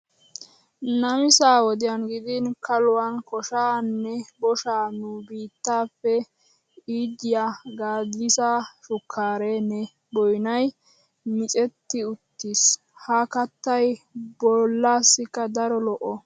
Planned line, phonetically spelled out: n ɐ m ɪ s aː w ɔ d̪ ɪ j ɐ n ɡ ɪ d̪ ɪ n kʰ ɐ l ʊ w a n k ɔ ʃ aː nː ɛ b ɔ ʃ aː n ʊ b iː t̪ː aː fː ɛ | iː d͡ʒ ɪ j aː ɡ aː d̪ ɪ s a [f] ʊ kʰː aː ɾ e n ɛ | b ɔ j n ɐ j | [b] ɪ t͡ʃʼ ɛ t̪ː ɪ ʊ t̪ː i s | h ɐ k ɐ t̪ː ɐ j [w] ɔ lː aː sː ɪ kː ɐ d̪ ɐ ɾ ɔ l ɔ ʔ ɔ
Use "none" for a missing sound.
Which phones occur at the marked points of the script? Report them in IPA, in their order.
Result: ʃ, m, b

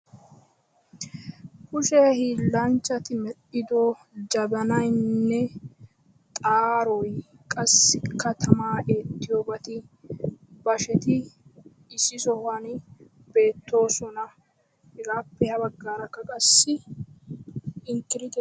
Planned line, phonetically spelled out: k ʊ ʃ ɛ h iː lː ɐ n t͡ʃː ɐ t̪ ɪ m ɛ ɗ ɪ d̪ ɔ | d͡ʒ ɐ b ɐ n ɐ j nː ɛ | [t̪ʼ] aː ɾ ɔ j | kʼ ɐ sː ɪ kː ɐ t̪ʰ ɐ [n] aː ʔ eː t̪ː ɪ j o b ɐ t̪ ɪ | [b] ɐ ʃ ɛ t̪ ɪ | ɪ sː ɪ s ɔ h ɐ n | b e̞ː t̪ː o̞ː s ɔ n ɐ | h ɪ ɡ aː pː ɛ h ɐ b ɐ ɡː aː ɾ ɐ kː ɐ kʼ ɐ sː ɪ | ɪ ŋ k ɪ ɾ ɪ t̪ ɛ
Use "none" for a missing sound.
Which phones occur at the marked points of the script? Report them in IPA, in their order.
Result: t̪ʼ, m, b

